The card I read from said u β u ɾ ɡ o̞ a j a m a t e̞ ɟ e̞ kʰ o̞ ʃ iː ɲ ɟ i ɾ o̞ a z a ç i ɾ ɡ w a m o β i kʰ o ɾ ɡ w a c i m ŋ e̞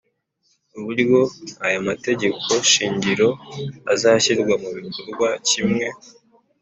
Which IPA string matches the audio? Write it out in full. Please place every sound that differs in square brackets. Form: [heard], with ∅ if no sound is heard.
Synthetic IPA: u β u ɾ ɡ o̞ a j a m a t e̞ ɟ e̞ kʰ o̞ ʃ iː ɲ ɟ i ɾ o̞ a z a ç i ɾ ɡ w a m [u] β i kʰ o ɾ ɡ w a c i m ŋ e̞